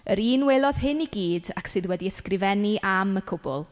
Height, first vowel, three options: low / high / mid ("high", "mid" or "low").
mid